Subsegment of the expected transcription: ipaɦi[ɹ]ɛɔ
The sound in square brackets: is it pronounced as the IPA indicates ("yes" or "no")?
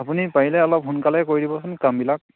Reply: no